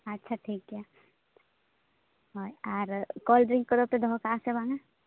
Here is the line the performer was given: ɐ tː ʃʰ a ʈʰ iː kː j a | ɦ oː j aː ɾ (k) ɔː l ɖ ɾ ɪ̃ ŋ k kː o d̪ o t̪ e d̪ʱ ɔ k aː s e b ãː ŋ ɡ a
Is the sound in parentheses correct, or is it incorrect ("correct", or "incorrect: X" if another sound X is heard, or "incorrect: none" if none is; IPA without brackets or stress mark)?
correct